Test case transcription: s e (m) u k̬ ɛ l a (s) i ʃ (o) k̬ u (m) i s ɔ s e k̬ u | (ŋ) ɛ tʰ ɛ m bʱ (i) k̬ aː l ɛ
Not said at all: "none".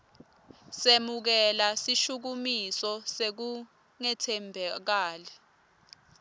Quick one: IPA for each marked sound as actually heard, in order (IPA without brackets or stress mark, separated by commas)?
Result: m, s, u, m, ŋ, ɛ